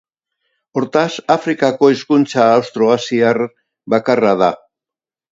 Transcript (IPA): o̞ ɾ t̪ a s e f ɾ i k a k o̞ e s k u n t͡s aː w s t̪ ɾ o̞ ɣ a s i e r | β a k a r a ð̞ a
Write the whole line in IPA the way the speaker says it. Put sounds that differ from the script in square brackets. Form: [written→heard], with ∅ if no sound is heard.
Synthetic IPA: o̞ ɾ t̪ a s [e→a] f ɾ i k a k o̞ e s k u n t͡s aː w s t̪ ɾ o̞ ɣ a s i [e→a] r | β a k a r a ð̞ a